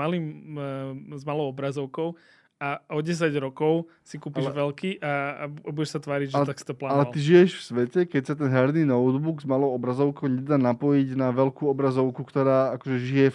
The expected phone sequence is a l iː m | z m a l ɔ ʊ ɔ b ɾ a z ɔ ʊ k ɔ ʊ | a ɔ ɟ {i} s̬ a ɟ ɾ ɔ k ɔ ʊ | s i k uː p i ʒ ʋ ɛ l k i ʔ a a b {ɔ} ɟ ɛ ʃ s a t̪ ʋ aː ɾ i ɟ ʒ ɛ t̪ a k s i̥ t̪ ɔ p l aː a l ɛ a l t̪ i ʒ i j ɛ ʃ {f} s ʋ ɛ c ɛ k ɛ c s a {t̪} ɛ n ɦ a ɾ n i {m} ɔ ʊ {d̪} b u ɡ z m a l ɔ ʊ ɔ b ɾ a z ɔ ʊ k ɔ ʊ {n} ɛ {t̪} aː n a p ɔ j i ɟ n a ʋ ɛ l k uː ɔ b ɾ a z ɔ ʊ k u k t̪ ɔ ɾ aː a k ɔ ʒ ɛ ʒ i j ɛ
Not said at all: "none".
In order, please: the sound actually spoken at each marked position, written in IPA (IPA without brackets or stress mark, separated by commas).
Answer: ɛ, u, f, t̪, n, d̪, ɲ, d̪